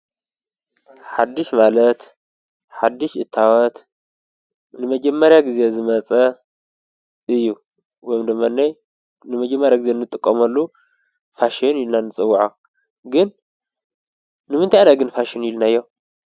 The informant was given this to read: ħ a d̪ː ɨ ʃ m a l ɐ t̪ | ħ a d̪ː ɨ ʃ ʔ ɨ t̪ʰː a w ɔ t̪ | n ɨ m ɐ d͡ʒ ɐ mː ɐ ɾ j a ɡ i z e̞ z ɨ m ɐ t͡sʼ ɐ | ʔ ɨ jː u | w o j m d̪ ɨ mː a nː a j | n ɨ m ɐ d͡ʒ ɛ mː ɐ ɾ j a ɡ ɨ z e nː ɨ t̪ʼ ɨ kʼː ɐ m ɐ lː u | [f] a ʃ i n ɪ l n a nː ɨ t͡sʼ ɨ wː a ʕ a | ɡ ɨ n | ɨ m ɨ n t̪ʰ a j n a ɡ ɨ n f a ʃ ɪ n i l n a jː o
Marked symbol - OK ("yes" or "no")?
yes